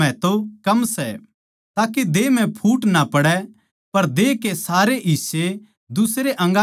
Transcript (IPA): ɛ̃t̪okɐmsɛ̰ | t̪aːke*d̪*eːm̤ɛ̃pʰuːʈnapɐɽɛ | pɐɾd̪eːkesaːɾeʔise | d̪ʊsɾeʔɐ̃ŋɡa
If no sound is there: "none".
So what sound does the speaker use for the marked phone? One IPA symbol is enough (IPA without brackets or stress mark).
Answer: d̪